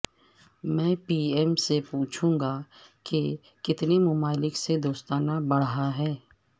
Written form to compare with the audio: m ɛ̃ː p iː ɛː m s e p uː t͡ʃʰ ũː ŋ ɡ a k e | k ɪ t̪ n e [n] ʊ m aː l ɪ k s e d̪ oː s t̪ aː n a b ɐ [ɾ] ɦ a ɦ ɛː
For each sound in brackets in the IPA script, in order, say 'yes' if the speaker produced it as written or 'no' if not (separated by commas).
no, no